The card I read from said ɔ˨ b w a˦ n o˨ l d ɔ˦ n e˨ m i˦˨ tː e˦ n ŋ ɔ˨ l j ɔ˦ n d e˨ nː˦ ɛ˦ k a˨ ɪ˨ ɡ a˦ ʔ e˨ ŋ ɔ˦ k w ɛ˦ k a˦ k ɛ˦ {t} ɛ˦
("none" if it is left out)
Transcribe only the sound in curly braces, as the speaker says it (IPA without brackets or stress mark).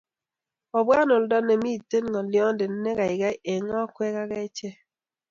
t͡ʃ